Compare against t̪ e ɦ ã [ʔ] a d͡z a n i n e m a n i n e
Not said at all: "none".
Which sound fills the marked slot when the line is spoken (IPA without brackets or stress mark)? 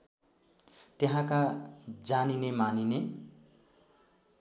k